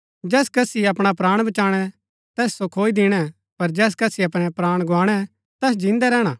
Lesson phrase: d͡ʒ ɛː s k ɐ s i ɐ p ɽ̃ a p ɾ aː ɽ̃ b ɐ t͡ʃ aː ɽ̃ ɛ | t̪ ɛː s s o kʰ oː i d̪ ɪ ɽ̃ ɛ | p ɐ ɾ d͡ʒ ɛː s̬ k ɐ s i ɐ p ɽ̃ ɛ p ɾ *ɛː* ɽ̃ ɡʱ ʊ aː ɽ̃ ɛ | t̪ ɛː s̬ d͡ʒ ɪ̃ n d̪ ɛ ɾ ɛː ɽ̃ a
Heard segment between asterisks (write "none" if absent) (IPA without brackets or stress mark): aː